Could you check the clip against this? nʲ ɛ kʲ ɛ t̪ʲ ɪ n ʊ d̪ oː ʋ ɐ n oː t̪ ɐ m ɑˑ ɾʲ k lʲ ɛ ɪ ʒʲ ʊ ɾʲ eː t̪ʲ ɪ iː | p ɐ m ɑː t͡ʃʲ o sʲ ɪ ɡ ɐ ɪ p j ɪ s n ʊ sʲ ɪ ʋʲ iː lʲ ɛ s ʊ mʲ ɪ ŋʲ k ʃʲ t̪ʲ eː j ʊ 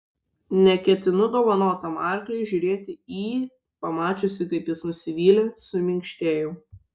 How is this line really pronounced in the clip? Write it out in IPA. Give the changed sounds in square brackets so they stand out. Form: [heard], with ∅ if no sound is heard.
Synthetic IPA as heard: nʲ ɛ kʲ ɛ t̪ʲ ɪ n ʊ d̪ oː ʋ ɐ n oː t̪ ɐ m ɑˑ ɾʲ k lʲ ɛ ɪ ʒʲ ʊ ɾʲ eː t̪ʲ ɪ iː | p ɐ m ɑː t͡ʃʲ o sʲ ɪ [k] ɐ ɪ p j ɪ s n ʊ sʲ ɪ ʋʲ iː lʲ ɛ s ʊ mʲ ɪ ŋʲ k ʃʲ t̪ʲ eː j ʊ